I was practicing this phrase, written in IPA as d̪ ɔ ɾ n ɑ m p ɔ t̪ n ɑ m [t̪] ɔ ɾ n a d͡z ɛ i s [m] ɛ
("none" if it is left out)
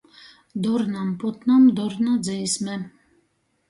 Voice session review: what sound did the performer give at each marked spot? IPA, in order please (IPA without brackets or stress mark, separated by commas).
d̪, m